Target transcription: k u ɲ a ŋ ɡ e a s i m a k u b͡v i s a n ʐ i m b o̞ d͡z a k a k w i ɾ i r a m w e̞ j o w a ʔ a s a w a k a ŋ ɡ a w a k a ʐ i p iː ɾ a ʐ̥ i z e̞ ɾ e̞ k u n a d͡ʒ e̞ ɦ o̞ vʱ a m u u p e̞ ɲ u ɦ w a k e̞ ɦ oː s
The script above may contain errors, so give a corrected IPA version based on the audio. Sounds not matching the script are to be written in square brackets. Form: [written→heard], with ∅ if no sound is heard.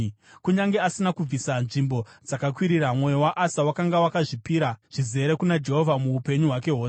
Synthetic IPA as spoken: k u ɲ a ŋ ɡ e a s i [m→n] a k u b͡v i s a n ʐ i m b o̞ d͡z a k a k w i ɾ i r a m w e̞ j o w a ʔ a s a w a k a ŋ ɡ a w a k a ʐ i p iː ɾ a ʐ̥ i z e̞ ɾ e̞ k u n a d͡ʒ e̞ ɦ o̞ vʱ a m u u p e̞ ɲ u ɦ w a k e̞ ɦ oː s